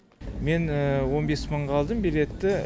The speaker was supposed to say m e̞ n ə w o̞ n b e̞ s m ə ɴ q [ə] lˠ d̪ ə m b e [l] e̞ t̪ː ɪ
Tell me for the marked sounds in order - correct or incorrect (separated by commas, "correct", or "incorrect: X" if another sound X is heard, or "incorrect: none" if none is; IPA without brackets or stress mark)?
incorrect: ɑ, correct